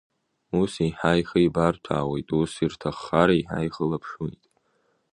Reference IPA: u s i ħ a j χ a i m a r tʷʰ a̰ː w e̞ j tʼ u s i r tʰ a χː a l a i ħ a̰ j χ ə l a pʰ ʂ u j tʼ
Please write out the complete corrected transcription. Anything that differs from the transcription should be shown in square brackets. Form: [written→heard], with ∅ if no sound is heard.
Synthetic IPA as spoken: u s i ħ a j χ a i [m→b] a r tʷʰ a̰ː w e̞ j tʼ u s i r tʰ a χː a [l→ɾ] a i ħ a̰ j χ ə l a pʰ ʂ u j tʼ